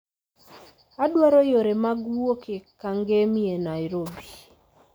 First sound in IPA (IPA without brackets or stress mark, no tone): a